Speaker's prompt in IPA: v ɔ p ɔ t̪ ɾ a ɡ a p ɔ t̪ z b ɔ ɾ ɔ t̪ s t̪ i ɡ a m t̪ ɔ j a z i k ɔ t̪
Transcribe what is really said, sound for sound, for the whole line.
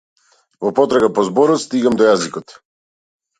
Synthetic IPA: v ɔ p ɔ t̪ ɾ a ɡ a p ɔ z b ɔ ɾ ɔ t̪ s t̪ i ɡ a m d̪ ɔ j a z i k ɔ t̪